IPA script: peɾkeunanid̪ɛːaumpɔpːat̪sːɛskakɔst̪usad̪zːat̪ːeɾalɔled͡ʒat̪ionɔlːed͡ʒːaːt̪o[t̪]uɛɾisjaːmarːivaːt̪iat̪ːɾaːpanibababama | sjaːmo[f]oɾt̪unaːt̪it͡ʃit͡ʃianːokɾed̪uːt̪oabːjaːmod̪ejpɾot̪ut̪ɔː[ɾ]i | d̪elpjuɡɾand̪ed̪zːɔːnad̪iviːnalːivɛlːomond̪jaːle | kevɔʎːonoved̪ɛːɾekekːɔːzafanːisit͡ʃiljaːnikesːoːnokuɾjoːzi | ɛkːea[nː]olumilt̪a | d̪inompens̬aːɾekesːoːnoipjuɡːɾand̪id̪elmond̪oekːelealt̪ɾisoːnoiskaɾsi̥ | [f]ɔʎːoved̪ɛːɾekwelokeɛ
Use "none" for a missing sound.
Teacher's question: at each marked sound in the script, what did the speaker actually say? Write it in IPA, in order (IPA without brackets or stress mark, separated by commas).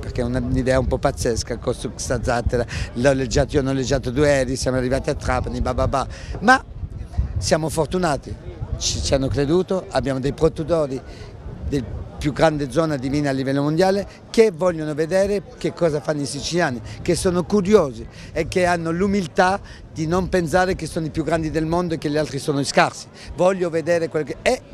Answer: d̪, f, ɾ, nː, v